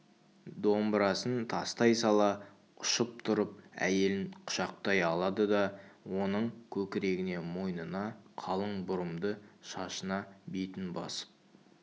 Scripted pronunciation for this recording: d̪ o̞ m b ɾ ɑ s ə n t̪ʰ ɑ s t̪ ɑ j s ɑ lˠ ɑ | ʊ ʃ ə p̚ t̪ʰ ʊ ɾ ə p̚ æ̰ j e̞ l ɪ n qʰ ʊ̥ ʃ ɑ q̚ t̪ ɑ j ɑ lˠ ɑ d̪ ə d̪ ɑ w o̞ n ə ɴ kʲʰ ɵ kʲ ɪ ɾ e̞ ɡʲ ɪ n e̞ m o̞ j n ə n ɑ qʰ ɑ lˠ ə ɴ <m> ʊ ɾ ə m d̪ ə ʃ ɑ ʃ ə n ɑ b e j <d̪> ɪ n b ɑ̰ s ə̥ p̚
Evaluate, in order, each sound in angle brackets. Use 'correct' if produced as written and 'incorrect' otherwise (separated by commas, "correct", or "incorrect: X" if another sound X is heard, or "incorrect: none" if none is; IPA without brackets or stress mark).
incorrect: b, incorrect: t̪